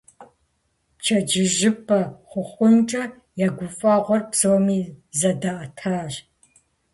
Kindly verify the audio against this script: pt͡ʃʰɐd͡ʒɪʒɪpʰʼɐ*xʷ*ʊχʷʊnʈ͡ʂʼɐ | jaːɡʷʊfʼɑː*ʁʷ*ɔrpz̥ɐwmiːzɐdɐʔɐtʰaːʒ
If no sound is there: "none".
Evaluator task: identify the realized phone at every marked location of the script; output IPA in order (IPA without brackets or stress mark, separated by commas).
χʷ, ʁʷ